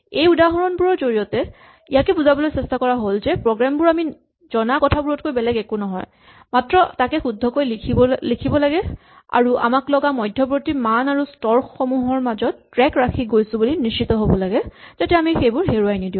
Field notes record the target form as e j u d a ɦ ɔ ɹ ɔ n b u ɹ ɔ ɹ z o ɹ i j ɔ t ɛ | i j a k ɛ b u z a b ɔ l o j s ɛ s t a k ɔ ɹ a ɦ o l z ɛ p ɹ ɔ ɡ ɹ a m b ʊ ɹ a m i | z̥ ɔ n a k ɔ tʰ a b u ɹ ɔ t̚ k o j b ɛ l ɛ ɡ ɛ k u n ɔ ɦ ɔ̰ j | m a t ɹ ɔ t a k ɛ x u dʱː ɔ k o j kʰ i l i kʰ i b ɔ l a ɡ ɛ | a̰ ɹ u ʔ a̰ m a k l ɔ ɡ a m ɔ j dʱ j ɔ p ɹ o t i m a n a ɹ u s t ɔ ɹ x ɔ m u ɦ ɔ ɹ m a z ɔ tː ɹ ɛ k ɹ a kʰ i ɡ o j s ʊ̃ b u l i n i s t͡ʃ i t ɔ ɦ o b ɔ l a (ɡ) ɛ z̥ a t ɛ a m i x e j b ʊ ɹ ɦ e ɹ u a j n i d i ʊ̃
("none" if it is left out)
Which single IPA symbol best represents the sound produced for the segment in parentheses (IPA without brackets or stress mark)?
ɡ